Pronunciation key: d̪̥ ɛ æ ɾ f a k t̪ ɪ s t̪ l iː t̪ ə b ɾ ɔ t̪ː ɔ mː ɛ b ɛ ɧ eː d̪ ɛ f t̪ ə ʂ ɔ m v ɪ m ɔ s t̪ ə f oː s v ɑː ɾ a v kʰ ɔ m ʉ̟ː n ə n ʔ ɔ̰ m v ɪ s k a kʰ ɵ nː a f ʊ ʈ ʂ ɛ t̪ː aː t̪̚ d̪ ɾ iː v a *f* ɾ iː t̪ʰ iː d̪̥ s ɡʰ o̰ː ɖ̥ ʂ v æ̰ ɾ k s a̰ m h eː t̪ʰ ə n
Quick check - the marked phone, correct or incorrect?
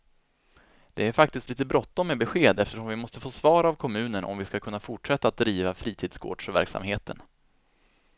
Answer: correct